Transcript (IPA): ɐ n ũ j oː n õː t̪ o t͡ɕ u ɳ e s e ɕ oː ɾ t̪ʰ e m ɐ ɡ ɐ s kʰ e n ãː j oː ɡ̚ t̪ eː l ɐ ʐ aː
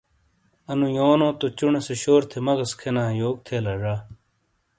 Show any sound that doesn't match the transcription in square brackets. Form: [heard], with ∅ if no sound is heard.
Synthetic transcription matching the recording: ɐ n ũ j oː n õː t̪ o t͡ɕ u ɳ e s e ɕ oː ɾ t̪ʰ e m ɐ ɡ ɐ s kʰ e n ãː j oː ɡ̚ [t̪ʰ] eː l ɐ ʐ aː